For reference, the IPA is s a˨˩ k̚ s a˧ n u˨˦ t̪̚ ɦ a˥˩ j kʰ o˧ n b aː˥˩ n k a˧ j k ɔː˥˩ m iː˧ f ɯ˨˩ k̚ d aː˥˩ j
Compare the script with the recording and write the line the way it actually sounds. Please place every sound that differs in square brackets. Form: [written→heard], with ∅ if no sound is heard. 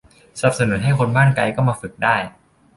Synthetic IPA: s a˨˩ [k̚→p̚] s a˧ n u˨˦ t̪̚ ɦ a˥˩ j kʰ o˧ n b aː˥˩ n k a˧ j k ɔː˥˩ m [iː˧→aː˧] f ɯ˨˩ k̚ d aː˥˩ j